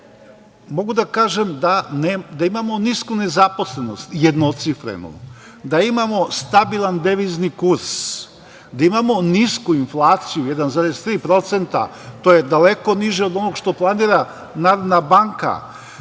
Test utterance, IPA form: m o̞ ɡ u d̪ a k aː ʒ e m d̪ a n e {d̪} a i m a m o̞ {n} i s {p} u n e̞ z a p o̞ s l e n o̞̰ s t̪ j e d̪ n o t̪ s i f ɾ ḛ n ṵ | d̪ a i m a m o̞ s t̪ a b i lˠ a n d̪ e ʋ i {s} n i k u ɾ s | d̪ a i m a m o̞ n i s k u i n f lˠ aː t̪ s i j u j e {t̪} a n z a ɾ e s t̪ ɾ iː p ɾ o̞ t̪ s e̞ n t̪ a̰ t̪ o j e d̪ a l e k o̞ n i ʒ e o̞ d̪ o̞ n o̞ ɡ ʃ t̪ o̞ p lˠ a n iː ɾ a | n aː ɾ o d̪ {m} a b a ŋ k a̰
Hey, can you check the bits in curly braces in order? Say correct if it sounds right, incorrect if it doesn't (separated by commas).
correct, correct, incorrect, incorrect, incorrect, incorrect